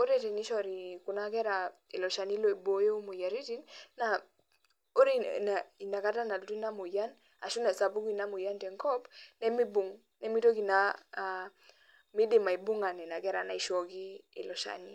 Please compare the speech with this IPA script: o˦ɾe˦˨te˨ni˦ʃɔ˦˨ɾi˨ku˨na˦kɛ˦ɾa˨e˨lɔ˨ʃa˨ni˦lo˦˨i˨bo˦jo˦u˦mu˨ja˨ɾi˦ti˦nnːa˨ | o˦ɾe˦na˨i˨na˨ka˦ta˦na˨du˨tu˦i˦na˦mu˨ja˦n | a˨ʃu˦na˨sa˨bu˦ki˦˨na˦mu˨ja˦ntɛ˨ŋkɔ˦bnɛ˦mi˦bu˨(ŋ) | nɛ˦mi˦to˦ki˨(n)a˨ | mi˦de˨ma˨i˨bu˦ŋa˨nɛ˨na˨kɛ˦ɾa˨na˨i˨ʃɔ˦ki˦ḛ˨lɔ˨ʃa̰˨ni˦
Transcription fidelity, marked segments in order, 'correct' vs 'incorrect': correct, correct

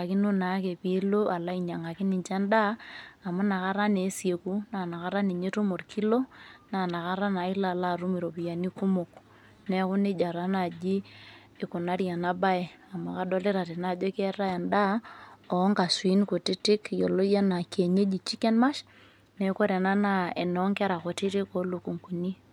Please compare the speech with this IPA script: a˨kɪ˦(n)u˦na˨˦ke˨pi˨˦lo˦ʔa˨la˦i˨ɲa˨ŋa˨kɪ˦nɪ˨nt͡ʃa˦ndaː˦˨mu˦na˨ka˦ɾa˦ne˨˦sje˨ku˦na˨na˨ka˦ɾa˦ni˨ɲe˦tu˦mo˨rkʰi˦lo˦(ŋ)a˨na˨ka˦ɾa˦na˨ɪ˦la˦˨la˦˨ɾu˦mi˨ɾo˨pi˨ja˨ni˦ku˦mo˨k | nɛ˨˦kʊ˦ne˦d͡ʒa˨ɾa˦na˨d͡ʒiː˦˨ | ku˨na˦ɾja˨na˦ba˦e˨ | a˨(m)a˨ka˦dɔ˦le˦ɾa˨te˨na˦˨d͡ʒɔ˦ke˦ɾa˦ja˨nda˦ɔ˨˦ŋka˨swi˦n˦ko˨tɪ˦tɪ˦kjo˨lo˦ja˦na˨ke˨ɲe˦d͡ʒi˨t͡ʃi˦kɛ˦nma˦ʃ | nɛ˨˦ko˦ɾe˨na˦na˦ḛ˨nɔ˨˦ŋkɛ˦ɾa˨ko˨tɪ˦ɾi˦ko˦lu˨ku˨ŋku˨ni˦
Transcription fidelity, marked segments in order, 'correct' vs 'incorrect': correct, incorrect, correct

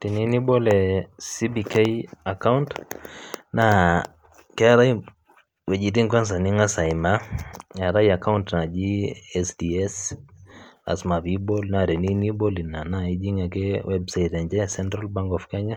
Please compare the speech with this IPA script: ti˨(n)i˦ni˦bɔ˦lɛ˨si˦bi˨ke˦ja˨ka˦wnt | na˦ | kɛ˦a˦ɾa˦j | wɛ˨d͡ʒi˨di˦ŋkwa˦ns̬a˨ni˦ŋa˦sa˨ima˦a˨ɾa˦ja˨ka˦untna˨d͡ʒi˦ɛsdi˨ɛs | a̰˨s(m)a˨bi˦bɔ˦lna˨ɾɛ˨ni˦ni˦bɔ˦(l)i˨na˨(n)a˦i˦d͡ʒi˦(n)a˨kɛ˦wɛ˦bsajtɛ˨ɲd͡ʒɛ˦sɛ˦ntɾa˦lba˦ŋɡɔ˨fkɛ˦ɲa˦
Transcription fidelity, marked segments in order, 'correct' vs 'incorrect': correct, correct, correct, correct, incorrect

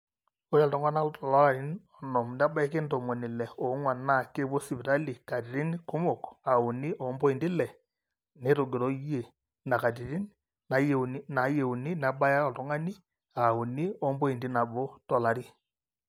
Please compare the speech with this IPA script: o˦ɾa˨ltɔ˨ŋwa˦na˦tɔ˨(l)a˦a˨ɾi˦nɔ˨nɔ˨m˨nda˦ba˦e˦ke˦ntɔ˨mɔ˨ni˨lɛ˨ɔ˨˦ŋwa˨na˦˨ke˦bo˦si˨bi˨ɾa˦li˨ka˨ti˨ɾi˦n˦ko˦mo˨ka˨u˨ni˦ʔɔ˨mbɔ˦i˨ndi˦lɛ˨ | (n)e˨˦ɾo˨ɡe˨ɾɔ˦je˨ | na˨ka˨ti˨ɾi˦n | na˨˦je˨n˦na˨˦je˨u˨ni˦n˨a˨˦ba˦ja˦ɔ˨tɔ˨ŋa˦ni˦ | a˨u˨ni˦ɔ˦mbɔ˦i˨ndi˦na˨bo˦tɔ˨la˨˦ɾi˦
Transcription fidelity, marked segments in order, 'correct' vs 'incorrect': correct, correct

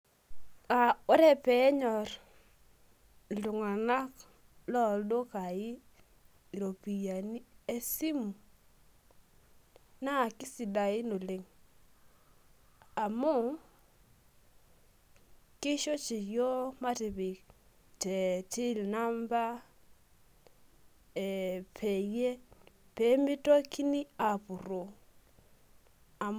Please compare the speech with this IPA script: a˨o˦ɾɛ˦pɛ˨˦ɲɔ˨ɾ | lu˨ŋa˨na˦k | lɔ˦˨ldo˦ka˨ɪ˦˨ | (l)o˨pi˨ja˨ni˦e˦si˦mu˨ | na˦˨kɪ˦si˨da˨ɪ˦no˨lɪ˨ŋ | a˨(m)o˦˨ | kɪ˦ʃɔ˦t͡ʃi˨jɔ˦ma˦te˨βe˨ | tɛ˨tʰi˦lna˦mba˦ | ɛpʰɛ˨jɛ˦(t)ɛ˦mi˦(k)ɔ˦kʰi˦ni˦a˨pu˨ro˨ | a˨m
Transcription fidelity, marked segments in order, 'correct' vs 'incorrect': incorrect, correct, incorrect, incorrect

